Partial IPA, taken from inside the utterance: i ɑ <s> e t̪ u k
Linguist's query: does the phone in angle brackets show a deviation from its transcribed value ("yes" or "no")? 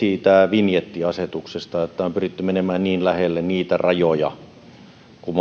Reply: no